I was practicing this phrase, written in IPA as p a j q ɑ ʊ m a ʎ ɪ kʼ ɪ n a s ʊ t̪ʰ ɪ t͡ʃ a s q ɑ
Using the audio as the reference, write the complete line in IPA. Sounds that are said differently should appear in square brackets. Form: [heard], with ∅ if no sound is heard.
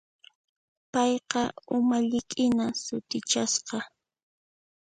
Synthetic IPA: p [ɑ] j q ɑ ʊ m a ʎ ɪ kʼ ɪ n a s ʊ [t̪] ɪ t͡ʃ a s q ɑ